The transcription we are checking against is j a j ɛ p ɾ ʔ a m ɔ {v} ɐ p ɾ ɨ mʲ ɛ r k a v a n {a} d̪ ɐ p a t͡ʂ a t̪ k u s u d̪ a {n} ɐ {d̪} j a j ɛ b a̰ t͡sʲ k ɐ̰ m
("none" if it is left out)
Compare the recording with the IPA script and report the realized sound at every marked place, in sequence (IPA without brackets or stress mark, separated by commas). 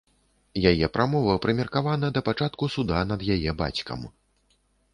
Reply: v, ɐ, n, d̪